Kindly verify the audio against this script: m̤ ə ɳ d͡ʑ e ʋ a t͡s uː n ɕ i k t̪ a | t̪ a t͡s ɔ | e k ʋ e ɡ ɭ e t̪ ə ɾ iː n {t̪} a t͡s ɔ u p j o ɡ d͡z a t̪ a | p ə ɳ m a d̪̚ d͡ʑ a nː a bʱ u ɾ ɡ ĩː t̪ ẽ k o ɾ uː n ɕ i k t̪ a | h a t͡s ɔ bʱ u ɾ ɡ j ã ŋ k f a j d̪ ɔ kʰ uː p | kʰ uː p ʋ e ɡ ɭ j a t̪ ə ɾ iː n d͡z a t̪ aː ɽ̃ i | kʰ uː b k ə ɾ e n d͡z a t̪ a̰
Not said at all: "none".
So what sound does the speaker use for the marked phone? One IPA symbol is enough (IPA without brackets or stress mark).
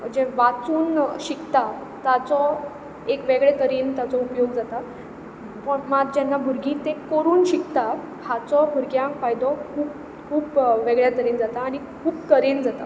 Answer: t̪